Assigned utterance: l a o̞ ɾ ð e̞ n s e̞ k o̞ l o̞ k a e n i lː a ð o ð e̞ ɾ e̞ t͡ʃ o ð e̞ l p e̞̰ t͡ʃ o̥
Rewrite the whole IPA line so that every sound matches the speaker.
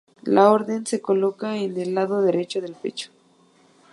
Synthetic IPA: l a o̞ ɾ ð e̞ n s e̞ k o̞ l o̞ k a e n e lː a ð o ð e̞ ɾ e̞ t͡ʃ o ð e̞ l p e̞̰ t͡ʃ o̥